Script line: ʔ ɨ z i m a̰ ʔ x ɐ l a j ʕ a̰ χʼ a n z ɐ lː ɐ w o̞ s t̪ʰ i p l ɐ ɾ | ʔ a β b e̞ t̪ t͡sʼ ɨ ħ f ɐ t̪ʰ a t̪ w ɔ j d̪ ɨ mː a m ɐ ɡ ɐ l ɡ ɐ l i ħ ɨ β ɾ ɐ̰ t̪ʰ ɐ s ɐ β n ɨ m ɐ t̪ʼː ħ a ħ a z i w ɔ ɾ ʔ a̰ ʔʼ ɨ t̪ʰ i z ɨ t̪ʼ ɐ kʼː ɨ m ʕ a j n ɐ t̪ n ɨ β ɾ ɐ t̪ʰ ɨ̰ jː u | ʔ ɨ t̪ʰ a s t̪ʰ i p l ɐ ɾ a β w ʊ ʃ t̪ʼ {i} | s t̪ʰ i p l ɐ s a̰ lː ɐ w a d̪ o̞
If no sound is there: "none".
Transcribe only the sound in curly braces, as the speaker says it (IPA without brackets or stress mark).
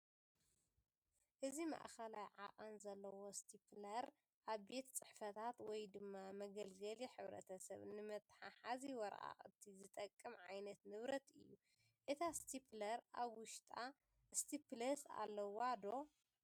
a